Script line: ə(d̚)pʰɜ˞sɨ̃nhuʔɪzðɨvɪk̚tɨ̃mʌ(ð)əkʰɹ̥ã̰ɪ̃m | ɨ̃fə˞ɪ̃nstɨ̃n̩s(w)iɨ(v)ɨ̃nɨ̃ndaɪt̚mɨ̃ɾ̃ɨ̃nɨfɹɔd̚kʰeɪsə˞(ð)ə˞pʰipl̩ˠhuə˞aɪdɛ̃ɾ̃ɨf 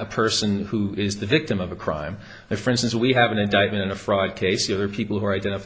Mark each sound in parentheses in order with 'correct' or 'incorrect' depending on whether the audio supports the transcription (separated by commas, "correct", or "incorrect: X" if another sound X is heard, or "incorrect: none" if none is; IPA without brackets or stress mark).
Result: incorrect: none, incorrect: v, correct, correct, correct